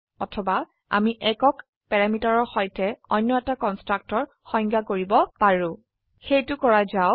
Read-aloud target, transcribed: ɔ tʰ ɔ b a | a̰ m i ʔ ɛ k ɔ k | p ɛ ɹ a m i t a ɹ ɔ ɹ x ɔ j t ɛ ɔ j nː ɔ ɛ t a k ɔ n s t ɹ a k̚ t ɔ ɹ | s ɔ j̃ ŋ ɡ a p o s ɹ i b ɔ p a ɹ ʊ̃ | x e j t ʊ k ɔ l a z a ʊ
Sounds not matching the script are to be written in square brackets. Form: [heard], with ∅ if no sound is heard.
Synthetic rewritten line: ɔ tʰ ɔ b a | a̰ m i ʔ ɛ k ɔ k | p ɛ ɹ a m i t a ɹ ɔ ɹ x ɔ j t ɛ ɔ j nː ɔ ɛ t a k ɔ n s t ɹ a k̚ t ɔ ɹ | [x] ɔ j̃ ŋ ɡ a [k] o [∅] ɹ i b ɔ p a ɹ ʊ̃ | x e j t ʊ k ɔ [ɹ] a z a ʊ

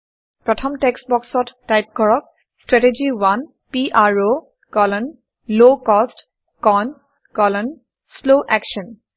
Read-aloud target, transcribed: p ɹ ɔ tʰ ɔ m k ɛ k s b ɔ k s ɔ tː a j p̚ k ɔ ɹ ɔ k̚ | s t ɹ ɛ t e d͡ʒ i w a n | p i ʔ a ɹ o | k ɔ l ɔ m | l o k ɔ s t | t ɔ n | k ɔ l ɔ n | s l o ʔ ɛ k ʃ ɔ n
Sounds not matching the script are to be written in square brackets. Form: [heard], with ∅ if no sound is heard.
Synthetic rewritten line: p ɹ ɔ tʰ ɔ m [t] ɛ k s b ɔ k s ɔ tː a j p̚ k ɔ ɹ ɔ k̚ | s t ɹ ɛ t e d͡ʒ i w a n | p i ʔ a ɹ o | k ɔ l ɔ [n] | l o k ɔ s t | [k] ɔ n | k ɔ l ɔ n | s l o ʔ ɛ k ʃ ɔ n

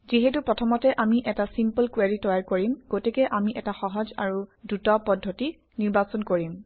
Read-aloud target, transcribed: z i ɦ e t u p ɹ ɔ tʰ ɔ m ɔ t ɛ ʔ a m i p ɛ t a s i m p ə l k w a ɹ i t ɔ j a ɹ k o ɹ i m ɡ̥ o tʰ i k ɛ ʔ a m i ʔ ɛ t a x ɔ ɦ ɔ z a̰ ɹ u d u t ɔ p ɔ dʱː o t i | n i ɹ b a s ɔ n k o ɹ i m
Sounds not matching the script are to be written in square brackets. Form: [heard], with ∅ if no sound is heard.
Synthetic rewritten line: z i ɦ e t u p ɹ ɔ tʰ ɔ m ɔ t ɛ ʔ a m i [ʔ] ɛ t a s i m p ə l k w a ɹ i t ɔ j a ɹ k o ɹ i m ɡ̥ o [t] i k ɛ ʔ a m i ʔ ɛ t a x ɔ ɦ ɔ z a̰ ɹ u d u t ɔ p ɔ dʱː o t i | n i ɹ b a s ɔ n k o ɹ i m

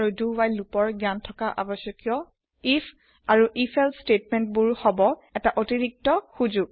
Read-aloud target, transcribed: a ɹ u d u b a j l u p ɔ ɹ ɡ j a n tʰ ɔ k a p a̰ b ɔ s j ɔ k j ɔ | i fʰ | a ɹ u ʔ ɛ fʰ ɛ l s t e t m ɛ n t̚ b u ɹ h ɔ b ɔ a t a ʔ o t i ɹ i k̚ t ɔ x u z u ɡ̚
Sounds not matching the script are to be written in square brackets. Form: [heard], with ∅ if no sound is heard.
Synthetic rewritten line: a ɹ u d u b a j l u p ɔ ɹ ɡ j a n tʰ ɔ k a [ʔ] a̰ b ɔ s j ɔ k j ɔ | i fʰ | a ɹ u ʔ [i] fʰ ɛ l s t e t m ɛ n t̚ b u ɹ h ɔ b ɔ [ɛ] t a ʔ o t i ɹ i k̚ t ɔ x u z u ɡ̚

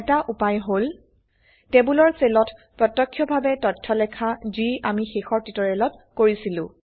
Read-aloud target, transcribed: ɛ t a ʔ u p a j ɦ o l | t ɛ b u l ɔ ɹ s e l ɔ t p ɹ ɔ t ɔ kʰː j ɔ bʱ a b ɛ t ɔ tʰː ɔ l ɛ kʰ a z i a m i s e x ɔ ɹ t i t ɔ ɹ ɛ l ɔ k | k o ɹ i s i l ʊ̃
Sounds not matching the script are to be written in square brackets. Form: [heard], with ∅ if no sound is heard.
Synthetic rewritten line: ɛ t a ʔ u p a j ɦ o l | t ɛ b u l ɔ ɹ s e l ɔ t p ɹ ɔ t ɔ kʰː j ɔ bʱ a b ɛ t ɔ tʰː ɔ l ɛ kʰ a z i a m i [x] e x ɔ ɹ t i t ɔ ɹ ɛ l ɔ [t] | k o ɹ i s i l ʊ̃

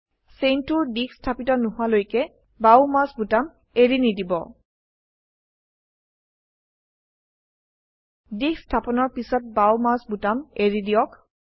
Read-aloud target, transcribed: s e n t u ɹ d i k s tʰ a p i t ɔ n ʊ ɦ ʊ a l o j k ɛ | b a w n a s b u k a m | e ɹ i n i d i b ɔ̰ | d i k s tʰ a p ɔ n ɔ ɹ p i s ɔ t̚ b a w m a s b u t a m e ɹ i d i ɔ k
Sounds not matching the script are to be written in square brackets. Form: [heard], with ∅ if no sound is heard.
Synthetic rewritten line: s e n t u ɹ d i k s tʰ a p i t ɔ n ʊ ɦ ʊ a l o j k ɛ | b a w [m] a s b u [t] a m | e ɹ i n i d i b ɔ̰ | d i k s tʰ a p ɔ n ɔ ɹ p i s ɔ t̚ b a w m a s b u t a m e ɹ i d i ɔ k

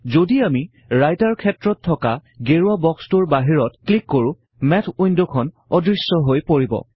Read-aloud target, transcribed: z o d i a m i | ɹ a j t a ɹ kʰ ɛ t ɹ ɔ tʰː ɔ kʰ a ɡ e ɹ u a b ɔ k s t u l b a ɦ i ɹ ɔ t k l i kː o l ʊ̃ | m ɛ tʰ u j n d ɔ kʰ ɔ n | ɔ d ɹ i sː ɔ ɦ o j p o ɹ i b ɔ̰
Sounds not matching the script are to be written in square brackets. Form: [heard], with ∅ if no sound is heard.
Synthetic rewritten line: z o d i a m i | ɹ a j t a ɹ kʰ ɛ t ɹ ɔ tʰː ɔ [k] a ɡ e ɹ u a b ɔ k s t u [ɹ] b a ɦ i ɹ ɔ t k l i kː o [ɹ] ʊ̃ | m ɛ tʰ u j n d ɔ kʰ ɔ n | ɔ d ɹ i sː ɔ ɦ o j p o ɹ i b ɔ̰

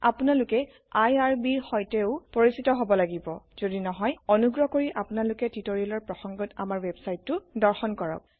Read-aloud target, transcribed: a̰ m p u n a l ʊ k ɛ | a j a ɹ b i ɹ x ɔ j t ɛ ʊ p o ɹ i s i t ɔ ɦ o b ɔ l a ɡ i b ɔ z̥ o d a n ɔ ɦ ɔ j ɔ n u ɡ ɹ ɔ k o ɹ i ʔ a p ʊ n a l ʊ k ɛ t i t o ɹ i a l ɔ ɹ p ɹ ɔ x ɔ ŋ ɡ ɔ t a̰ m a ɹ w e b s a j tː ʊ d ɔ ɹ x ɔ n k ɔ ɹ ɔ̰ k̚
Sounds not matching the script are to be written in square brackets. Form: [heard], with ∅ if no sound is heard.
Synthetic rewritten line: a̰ [∅] p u n a l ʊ k ɛ | a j a ɹ b i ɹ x ɔ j t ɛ ʊ p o ɹ i s i t ɔ ɦ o b ɔ l a ɡ i b ɔ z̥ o d [i] n ɔ ɦ ɔ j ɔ n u ɡ ɹ ɔ k o ɹ i ʔ a p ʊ n a l ʊ k ɛ t i t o ɹ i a l ɔ ɹ p ɹ ɔ x ɔ ŋ ɡ ɔ t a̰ m a ɹ w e b s a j tː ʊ d ɔ ɹ x ɔ n k ɔ ɹ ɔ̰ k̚

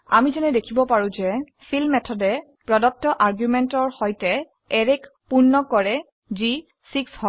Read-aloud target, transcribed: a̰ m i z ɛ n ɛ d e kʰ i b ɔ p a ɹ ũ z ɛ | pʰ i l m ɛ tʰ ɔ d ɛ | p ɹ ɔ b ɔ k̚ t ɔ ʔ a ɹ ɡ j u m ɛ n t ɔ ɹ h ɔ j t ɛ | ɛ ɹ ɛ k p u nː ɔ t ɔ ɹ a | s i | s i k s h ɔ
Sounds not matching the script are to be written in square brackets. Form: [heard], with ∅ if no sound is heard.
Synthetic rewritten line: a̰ m i z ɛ n ɛ d e kʰ i b ɔ p a ɹ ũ z ɛ | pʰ i l m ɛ tʰ ɔ d ɛ | p ɹ ɔ [d] ɔ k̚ t ɔ ʔ a ɹ ɡ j u m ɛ n t ɔ ɹ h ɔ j t ɛ | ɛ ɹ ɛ k p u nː ɔ [k] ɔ ɹ [ɛ] | [z] i | s i k s h ɔ

